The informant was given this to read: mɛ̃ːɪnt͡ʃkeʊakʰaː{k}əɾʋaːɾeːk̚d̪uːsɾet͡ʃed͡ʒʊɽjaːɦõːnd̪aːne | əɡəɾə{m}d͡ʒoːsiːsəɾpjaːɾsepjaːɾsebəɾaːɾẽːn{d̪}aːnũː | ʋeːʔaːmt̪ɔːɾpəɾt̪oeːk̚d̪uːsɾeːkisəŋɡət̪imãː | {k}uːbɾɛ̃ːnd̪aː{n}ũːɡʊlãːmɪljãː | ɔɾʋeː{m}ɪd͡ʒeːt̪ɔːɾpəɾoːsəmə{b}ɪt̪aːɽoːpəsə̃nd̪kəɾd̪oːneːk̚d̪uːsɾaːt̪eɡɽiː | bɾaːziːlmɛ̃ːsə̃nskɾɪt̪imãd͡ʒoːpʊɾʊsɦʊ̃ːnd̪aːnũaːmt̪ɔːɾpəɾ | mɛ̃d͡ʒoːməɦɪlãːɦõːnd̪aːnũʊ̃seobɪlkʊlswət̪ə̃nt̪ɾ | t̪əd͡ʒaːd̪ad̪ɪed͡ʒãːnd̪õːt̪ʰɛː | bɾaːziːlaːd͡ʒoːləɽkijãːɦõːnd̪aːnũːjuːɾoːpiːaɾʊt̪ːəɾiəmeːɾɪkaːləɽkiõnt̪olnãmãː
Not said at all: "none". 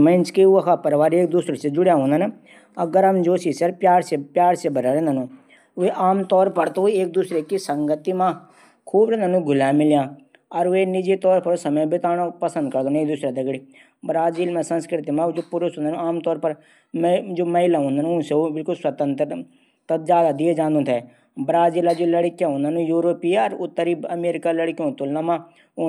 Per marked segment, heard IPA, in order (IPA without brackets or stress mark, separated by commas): p, m, d̪, kʰ, n, n, b